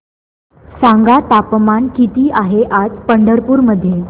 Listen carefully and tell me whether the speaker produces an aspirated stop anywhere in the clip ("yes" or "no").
no